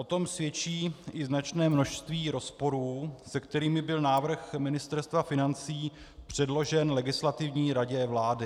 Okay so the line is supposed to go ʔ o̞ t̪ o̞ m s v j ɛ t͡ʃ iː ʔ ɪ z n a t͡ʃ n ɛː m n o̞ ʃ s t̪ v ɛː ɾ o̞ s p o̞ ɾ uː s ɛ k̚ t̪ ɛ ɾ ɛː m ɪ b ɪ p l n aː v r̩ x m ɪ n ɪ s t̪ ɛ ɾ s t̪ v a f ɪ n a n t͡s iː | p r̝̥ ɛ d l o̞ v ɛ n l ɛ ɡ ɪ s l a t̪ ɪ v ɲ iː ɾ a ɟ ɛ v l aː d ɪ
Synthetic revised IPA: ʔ o̞ t̪ o̞ m s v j ɛ t͡ʃ iː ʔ ɪ z n a t͡ʃ n ɛː m n o̞ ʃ s t̪ v iː ɾ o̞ s p o̞ ɾ uː s ɛ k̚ t̪ ɛ ɾ iː m ɪ b ɪ l n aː v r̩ x m ɪ n ɪ s t̪ ɛ ɾ s t̪ v a f ɪ n a n t͡s iː | p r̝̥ ɛ d l o̞ ʒ ɛ n l ɛ ɡ ɪ s l a t̪ ɪ v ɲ iː ɾ a ɟ ɛ v l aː d ɪ